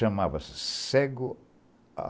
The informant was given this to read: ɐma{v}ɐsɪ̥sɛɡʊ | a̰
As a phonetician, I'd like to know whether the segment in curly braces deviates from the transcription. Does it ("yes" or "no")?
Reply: no